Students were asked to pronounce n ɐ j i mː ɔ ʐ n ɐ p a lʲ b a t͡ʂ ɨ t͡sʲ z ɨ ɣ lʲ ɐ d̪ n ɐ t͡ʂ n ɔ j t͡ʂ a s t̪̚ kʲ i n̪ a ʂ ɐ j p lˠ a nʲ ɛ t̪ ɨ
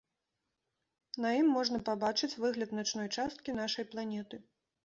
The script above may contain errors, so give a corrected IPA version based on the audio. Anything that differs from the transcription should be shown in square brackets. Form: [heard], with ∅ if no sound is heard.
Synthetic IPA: n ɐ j i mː ɔ ʐ n ɐ p a [∅] b a t͡ʂ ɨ t͡sʲ [v] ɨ ɣ lʲ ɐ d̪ n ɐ t͡ʂ n ɔ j t͡ʂ a s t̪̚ kʲ i n̪ a ʂ ɐ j p lˠ a nʲ ɛ t̪ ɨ